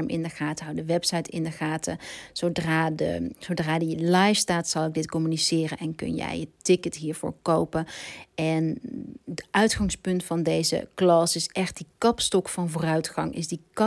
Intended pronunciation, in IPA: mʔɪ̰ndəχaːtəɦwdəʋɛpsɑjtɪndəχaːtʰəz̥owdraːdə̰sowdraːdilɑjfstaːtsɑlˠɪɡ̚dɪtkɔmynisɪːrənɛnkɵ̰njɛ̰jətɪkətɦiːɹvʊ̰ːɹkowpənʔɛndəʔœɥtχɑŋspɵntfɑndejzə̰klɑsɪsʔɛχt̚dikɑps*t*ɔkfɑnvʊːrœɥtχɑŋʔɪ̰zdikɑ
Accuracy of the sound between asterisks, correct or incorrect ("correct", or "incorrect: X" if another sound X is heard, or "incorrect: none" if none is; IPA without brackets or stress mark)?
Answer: correct